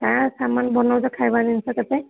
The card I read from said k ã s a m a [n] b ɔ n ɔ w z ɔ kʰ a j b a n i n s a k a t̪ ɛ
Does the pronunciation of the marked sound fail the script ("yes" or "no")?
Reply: no